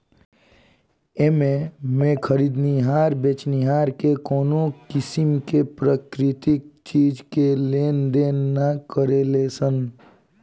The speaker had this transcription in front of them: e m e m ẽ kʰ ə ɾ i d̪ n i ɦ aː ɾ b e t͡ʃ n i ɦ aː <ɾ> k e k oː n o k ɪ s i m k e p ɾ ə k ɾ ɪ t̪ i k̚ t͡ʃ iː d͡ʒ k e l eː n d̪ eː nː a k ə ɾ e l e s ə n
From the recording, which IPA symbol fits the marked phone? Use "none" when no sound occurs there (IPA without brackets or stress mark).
ɾ